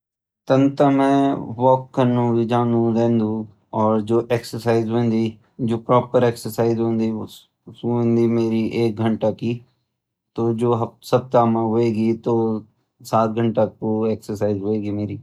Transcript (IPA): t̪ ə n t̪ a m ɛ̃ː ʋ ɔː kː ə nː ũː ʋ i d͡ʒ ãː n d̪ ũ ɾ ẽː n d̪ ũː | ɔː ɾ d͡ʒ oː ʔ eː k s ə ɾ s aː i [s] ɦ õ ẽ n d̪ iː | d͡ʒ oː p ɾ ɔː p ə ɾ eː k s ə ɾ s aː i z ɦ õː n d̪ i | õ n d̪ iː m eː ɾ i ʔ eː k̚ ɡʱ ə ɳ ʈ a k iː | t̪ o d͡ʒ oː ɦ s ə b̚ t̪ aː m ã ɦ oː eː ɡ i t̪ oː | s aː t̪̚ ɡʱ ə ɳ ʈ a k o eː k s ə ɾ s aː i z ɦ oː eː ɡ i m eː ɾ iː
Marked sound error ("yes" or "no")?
yes